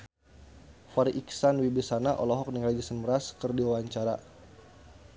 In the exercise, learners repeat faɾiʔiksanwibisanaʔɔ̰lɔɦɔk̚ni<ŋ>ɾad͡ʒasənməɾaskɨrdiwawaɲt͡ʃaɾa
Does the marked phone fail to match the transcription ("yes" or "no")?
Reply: no